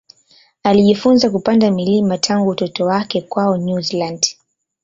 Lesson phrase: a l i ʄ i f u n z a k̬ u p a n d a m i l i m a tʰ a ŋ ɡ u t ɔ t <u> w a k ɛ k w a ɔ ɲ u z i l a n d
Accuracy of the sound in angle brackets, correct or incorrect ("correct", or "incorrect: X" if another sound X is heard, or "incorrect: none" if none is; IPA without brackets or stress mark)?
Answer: incorrect: ɔ